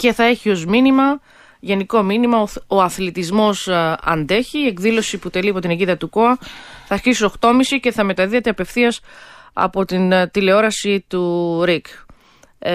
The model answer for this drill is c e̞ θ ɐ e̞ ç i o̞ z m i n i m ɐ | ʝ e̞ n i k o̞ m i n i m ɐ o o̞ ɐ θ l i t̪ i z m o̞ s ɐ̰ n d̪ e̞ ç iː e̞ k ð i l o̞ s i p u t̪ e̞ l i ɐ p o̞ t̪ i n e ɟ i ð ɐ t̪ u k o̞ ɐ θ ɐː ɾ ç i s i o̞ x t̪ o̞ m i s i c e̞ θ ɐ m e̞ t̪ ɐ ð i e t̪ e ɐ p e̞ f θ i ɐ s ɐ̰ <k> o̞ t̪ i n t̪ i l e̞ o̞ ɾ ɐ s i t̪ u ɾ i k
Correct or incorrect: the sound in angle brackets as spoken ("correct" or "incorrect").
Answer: incorrect